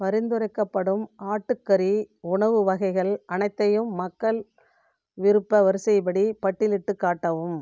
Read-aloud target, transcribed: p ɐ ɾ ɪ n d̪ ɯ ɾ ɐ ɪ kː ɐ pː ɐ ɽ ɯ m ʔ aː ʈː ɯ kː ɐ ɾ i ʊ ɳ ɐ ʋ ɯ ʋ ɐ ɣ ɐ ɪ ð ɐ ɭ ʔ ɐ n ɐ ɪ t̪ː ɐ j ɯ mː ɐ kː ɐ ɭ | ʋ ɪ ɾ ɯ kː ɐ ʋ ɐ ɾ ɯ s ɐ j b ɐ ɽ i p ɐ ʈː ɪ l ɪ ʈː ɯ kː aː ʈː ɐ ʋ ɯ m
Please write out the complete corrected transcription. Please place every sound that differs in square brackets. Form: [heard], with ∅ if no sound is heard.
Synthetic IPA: p ɐ ɾ ɪ n d̪ ɯ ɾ ɐ ɪ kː ɐ pː ɐ ɽ ɯ m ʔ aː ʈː ɯ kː ɐ ɾ i ʊ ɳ ɐ ʋ ɯ ʋ ɐ ɣ ɐ ɪ [ɣ] ɐ ɭ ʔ ɐ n ɐ ɪ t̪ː ɐ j ɯ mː ɐ kː ɐ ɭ | ʋ ɪ ɾ ɯ [pː] ɐ ʋ ɐ ɾ ɯ s ɐ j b ɐ ɽ i p ɐ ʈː ɪ l ɪ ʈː ɯ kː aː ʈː ɐ ʋ ɯ m